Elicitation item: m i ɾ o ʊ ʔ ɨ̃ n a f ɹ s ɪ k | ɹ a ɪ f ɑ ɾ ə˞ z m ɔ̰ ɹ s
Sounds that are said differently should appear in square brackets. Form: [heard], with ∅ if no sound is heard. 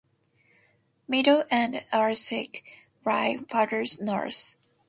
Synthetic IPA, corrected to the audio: m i ɾ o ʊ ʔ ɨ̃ n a [∅] ɹ s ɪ k | ɹ a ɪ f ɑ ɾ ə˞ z [n] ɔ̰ ɹ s